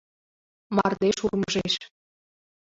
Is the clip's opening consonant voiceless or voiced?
voiced